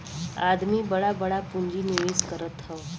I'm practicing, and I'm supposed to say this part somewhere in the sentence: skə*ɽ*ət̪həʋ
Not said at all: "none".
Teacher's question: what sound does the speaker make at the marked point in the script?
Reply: ɾ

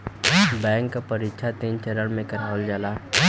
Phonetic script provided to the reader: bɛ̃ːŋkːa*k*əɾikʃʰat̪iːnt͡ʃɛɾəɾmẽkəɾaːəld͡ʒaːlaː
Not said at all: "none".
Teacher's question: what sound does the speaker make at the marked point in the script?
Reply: p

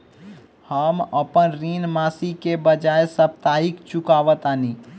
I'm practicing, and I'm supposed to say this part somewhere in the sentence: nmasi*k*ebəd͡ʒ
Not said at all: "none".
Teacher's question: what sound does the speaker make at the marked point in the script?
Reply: k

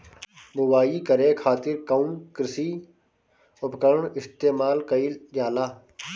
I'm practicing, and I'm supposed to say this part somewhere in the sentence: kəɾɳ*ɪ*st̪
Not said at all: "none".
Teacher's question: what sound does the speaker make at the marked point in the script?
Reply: ɪ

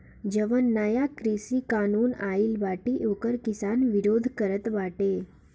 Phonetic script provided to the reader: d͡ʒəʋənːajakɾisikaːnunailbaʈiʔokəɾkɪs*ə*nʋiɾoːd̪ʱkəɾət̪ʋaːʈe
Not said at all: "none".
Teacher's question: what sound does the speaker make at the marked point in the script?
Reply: a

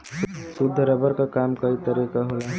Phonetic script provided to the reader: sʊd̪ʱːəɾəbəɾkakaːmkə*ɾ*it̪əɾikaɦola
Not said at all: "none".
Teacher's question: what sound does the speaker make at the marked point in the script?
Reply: none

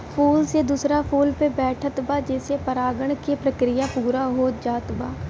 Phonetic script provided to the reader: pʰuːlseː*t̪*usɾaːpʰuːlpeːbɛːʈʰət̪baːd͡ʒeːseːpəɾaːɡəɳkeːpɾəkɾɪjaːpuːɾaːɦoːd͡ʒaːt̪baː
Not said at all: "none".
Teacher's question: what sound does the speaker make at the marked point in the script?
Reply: d̪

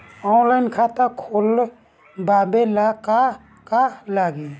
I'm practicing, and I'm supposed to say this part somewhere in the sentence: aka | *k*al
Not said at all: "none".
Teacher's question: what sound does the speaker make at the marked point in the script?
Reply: k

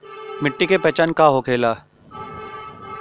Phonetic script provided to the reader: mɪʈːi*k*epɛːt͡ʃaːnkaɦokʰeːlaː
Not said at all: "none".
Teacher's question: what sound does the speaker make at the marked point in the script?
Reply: k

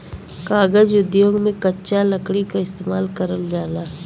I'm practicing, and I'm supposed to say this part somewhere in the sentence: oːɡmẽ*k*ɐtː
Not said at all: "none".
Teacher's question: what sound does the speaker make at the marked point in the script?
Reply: k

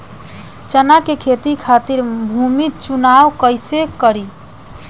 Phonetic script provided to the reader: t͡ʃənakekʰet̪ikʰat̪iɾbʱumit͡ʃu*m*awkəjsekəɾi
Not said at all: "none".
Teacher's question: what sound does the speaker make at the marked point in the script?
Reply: n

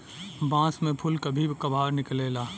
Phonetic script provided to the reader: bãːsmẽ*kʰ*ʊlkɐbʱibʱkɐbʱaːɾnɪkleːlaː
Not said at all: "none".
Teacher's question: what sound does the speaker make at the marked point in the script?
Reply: pʰ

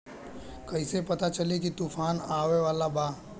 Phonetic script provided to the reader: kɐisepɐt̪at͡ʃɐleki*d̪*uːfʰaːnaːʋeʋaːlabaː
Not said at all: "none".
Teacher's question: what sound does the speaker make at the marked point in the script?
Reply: t̪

